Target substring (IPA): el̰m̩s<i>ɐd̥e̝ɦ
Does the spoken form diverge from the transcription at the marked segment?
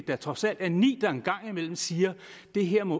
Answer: yes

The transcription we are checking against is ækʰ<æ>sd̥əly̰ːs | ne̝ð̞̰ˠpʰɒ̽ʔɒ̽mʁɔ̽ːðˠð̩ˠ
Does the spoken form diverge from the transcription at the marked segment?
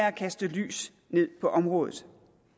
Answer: no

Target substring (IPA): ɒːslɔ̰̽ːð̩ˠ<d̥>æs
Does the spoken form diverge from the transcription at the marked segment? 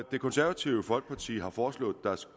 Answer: no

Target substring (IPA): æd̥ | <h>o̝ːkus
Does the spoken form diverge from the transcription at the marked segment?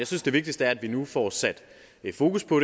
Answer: yes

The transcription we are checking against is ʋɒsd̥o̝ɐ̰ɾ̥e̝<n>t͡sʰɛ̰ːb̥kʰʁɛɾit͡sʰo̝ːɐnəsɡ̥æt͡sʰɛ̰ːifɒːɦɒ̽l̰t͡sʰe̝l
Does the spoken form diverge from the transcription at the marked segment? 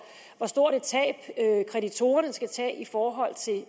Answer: yes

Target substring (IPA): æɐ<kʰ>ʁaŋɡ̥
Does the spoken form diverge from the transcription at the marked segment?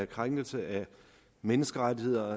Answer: no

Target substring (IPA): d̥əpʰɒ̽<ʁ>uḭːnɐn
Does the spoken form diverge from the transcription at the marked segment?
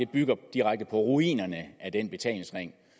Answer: no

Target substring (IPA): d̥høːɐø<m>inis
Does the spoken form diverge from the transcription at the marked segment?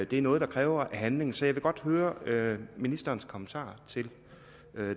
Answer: no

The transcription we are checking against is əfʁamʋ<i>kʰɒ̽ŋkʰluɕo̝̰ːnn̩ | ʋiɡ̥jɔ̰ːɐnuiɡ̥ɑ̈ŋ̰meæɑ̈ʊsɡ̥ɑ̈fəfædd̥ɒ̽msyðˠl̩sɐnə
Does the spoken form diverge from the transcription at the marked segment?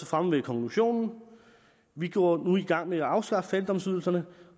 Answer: yes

